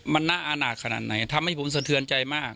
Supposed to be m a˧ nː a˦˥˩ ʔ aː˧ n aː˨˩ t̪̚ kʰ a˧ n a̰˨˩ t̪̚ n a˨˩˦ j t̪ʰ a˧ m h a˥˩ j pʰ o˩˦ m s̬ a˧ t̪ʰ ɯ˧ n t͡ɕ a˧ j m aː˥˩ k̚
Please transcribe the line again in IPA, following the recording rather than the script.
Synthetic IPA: m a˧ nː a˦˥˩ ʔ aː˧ n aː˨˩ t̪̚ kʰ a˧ n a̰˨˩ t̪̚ n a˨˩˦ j t̪ʰ a˧ m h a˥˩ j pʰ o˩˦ m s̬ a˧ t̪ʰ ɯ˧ n t͡ɕ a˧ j m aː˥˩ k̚